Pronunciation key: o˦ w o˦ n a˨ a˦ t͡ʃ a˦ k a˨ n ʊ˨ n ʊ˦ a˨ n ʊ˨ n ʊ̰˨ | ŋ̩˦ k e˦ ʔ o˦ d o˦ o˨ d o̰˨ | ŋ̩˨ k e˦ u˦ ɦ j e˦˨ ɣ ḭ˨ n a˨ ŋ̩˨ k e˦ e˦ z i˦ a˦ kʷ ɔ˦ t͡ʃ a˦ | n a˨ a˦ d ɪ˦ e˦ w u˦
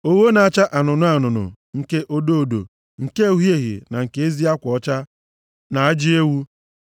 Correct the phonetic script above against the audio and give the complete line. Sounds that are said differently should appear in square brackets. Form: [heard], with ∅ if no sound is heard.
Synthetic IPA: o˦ w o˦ n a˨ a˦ t͡ʃ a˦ [ʔ] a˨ n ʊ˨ n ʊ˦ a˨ n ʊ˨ n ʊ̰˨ | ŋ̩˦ k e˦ ʔ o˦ d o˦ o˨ d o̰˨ | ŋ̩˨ k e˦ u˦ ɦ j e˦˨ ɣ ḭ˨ n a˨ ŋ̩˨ k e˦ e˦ z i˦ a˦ kʷ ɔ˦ t͡ʃ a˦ | n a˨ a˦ [d͡ʒ] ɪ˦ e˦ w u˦